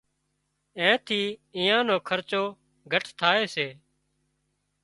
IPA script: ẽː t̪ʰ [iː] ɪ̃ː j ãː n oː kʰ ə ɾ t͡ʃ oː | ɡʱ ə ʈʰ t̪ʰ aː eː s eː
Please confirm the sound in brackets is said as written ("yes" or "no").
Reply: yes